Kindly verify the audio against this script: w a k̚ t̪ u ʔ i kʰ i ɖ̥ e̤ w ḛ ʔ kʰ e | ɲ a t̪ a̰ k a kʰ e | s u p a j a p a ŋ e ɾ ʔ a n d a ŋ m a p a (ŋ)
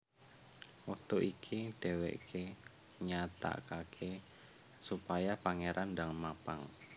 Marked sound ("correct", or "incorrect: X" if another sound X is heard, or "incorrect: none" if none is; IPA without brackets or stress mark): correct